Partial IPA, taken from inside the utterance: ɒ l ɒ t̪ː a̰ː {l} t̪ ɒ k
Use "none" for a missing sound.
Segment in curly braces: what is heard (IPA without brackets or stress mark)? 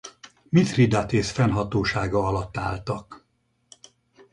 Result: l